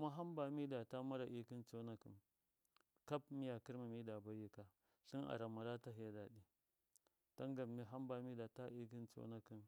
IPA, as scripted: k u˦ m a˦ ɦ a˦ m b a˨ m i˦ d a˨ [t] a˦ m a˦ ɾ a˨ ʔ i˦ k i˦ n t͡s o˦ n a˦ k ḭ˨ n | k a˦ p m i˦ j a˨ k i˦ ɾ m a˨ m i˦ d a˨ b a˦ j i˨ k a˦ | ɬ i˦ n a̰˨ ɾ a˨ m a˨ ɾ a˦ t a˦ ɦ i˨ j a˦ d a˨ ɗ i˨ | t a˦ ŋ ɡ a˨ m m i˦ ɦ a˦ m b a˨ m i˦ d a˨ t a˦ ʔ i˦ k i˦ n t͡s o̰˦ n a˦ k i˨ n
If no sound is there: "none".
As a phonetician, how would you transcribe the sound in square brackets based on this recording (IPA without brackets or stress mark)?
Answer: t